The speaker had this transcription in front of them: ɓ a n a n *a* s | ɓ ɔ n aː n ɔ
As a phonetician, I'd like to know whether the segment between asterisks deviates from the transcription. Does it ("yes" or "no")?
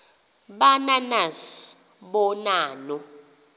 no